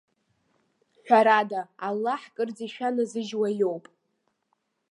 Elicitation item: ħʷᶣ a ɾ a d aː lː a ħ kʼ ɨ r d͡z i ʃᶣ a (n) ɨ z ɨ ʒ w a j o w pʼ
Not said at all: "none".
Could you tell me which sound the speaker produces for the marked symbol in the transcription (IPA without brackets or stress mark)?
n